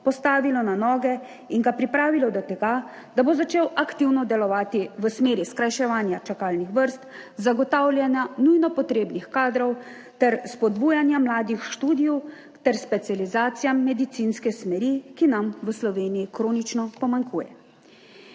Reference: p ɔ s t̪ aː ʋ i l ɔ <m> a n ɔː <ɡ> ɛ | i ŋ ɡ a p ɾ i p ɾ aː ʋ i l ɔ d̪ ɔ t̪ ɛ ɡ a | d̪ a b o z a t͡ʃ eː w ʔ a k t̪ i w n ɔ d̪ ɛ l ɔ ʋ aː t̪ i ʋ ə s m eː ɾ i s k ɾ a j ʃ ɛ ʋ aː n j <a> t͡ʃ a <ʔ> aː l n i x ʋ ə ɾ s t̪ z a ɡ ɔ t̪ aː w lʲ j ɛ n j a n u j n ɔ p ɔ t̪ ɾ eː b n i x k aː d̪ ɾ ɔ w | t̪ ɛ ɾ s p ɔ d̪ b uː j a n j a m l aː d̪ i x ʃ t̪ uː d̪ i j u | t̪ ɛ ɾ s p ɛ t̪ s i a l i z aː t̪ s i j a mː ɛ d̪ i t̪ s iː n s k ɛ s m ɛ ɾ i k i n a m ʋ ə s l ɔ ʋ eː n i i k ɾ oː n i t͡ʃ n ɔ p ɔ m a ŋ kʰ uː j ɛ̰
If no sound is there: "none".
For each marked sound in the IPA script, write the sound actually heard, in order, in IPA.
n, ɡ, a, k

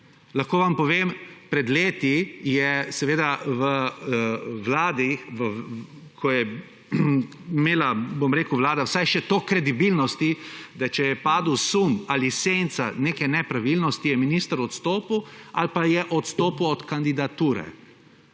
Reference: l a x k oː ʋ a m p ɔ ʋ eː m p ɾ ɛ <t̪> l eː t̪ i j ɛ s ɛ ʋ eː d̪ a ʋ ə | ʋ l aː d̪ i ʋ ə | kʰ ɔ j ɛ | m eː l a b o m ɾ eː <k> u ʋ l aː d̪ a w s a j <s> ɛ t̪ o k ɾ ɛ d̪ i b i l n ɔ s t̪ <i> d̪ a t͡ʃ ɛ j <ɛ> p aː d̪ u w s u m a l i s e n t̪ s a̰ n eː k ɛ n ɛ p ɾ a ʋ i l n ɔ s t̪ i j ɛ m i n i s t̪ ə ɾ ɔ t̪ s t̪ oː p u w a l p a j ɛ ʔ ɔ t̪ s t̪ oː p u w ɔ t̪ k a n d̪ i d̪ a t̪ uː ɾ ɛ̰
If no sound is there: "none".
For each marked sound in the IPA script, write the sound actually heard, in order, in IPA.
d̪, k, ʃ, i, ɛ

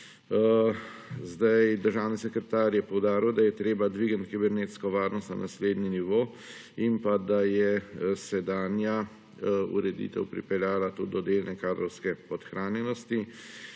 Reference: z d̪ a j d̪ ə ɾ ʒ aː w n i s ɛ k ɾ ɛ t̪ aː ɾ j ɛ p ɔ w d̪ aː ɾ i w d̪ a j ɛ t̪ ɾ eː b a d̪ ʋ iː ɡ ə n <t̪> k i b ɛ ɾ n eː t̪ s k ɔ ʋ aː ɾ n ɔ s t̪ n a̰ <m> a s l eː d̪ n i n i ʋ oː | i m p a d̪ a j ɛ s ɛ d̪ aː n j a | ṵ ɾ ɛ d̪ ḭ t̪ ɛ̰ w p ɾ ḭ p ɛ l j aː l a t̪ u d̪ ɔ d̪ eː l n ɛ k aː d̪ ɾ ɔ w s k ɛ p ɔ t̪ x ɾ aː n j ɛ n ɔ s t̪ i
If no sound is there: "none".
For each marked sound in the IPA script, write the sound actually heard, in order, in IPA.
t̪, n

